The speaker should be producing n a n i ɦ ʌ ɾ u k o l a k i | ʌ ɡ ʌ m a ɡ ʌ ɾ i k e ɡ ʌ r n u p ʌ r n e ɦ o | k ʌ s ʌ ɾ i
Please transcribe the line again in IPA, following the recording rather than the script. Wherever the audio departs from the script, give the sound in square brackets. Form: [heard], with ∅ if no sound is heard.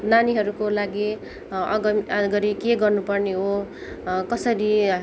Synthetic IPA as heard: n a n i ɦ ʌ ɾ u k o l a [ɡ] i | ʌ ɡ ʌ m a ɡ ʌ ɾ i k e ɡ ʌ r n u p ʌ r n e ɦ o | k ʌ s ʌ ɾ i